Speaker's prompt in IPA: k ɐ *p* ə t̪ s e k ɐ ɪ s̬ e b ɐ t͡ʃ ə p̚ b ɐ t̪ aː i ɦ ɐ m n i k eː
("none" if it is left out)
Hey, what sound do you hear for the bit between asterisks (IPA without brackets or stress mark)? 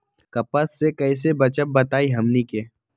p